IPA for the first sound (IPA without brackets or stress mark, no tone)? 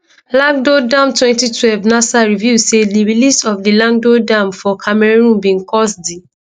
l